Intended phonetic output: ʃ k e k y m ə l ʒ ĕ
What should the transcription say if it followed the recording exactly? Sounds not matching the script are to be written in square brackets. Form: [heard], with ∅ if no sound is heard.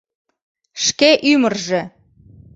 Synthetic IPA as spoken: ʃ k e [ʔ] y m ə [r] ʒ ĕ